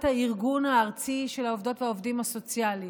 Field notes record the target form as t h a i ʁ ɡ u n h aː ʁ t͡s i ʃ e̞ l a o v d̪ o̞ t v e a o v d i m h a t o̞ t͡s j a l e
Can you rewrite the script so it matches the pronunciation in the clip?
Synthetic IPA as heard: t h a i ʁ ɡ u n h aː ʁ t͡s i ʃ e̞ l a o v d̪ o̞ t v e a o v d i m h a s o̞ t͡s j a l i